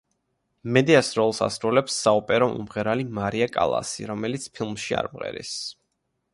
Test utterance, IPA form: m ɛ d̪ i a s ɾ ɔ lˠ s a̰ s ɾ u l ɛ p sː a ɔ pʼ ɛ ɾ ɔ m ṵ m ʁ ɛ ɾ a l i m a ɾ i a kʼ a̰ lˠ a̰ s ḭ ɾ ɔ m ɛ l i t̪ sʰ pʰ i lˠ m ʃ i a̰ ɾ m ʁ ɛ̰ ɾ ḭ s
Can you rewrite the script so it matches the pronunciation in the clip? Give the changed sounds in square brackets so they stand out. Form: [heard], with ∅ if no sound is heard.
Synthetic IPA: m ɛ d̪ i a s ɾ ɔ lˠ s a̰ s ɾ u l ɛ p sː a ɔ pʼ ɛ ɾ ɔ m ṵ m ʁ ɛ ɾ a l i m a ɾ i a kʼ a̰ lˠ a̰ s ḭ ɾ ɔ m ɛ l i t̪ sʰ pʰ i lˠ m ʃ i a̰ ɾ m ʁ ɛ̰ ɾ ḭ s